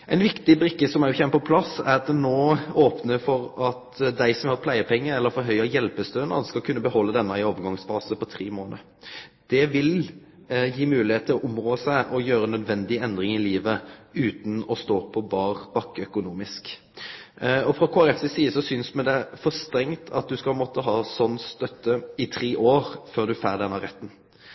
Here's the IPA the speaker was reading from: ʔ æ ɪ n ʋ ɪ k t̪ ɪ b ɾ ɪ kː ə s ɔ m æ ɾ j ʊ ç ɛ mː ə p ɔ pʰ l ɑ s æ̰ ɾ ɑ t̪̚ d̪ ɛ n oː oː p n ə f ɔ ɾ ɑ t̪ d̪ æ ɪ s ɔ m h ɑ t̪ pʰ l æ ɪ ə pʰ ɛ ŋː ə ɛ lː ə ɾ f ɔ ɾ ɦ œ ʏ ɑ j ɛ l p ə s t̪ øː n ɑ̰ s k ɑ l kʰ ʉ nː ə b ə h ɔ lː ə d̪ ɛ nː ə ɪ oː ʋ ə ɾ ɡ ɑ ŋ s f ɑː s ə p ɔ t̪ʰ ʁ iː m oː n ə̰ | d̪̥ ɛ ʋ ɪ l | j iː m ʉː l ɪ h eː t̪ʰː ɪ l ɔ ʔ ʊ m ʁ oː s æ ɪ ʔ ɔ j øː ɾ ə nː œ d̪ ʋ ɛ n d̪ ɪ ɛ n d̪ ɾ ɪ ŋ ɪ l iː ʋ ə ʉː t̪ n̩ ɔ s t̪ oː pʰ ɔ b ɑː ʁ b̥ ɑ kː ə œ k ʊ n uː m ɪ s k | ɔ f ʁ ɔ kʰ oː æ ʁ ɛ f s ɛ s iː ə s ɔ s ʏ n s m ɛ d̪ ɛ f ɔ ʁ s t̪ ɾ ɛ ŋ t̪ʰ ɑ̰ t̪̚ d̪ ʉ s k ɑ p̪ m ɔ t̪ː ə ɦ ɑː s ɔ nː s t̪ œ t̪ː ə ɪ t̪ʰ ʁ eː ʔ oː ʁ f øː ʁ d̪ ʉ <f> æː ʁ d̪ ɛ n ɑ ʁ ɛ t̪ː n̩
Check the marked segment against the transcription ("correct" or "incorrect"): correct